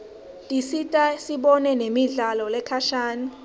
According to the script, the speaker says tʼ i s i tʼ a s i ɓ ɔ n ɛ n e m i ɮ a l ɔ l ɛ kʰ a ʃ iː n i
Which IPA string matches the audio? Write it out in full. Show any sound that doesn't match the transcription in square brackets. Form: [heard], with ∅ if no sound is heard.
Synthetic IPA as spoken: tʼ i s i tʼ a s i ɓ ɔ n ɛ n e m i ɮ a l ɔ l ɛ kʰ a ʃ [aː] n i